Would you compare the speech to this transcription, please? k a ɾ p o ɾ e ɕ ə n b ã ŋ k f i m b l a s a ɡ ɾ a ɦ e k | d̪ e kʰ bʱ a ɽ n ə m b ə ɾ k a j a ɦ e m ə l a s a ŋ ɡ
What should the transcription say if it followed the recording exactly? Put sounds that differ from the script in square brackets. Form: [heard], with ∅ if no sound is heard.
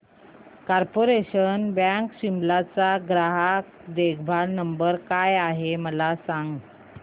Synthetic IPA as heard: k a ɾ p o ɾ e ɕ ə n b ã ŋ k [ɕ] i m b l a [t͡s] a ɡ ɾ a ɦ [a] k | d̪ e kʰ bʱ a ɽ n ə m b ə ɾ k a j a ɦ e m ə l a s a ŋ ɡ